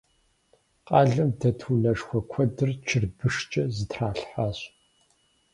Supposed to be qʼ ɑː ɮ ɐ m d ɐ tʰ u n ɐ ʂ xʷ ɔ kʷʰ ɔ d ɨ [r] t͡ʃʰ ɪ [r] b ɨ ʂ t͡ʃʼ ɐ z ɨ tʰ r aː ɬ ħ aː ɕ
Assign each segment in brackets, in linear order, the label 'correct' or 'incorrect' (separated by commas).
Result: correct, correct